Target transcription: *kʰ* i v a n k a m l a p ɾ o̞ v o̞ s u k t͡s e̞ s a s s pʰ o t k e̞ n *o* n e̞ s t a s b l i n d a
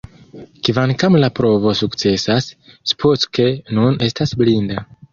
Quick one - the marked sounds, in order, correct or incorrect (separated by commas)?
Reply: incorrect, incorrect